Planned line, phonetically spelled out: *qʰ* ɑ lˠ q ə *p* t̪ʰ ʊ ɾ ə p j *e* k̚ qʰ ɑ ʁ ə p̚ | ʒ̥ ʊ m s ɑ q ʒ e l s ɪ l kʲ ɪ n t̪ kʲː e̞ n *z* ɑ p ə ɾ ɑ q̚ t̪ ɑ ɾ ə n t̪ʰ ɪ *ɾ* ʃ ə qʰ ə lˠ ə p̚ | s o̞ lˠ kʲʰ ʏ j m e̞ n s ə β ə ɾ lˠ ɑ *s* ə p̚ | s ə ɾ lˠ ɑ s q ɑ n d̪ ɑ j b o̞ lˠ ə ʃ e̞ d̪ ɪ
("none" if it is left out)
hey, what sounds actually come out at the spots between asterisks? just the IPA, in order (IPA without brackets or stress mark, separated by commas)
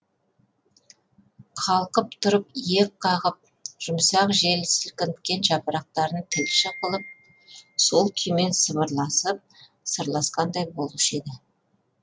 qʰ, p, e, ʒ, l, s